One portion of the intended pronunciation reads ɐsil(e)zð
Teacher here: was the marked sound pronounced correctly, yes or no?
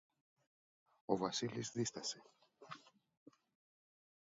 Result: no